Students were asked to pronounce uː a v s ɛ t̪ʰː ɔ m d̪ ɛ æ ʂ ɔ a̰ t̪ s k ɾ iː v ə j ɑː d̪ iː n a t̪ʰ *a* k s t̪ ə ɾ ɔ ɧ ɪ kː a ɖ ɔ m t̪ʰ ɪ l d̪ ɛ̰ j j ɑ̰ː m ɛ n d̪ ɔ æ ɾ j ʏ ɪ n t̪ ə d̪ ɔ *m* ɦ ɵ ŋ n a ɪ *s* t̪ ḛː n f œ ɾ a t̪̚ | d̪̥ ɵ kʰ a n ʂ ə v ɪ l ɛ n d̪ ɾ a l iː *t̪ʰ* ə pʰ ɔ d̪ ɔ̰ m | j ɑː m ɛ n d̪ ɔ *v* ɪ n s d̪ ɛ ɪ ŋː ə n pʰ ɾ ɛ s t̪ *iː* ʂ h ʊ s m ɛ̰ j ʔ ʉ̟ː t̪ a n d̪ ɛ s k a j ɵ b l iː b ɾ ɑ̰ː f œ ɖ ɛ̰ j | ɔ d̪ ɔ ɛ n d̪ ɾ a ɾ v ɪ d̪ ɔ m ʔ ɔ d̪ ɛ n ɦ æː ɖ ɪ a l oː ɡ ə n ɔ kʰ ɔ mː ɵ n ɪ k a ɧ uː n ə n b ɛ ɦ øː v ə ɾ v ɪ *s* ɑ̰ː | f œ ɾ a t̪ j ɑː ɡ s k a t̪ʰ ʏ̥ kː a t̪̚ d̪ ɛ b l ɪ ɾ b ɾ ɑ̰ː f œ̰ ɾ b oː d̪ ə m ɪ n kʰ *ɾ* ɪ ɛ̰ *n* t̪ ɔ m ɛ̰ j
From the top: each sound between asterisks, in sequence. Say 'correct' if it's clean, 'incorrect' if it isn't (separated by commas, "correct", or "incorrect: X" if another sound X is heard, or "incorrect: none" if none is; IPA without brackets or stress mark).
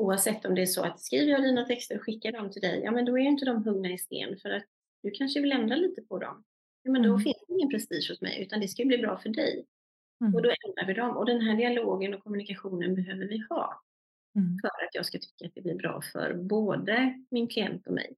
incorrect: ɛ, correct, correct, incorrect: t̪, incorrect: f, correct, incorrect: h, incorrect: l, correct